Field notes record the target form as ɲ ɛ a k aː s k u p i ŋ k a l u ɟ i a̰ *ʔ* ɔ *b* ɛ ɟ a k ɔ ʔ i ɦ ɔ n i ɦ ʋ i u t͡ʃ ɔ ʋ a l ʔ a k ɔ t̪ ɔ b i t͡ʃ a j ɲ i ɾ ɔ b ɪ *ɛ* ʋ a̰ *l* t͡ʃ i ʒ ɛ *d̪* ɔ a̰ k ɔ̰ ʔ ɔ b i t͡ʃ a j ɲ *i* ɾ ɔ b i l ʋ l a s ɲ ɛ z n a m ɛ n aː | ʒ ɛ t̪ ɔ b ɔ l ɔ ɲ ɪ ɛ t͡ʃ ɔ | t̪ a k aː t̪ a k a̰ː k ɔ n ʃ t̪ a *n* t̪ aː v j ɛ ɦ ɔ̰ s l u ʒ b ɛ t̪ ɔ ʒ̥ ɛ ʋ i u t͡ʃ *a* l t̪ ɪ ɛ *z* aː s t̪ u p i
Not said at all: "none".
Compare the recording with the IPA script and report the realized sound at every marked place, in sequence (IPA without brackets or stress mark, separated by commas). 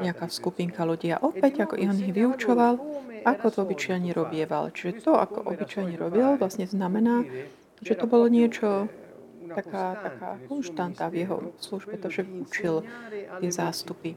ʔ, p, ɛ, l, t̪, ɛ, n, i, z